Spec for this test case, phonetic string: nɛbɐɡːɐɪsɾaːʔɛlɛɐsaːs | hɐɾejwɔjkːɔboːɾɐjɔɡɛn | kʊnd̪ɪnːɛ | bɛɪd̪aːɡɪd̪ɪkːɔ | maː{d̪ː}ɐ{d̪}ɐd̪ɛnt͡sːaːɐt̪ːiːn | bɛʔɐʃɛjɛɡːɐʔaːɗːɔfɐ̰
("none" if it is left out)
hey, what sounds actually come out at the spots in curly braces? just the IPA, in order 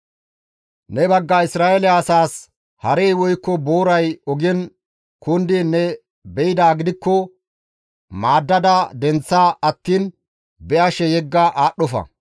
d̪ː, d̪

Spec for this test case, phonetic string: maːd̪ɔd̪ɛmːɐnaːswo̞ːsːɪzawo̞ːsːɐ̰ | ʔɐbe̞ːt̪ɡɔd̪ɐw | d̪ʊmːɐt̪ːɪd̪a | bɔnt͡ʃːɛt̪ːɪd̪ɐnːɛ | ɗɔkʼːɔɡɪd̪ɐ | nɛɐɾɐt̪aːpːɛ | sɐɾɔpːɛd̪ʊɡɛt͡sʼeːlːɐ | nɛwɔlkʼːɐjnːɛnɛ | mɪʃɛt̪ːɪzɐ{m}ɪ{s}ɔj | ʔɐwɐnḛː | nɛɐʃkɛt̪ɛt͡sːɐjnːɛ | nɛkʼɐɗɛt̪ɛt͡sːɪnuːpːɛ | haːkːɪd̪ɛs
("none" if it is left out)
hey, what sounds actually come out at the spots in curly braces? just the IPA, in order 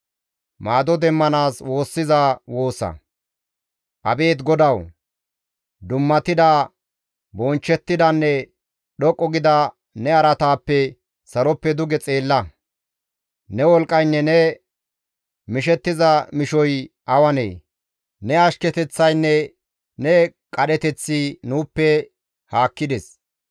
m, ʃ

